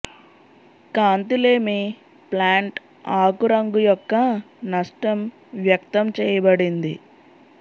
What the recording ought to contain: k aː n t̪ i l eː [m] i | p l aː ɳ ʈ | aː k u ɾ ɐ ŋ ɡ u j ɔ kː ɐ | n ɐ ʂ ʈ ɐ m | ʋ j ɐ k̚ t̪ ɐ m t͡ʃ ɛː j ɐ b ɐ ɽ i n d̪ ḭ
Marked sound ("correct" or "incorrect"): correct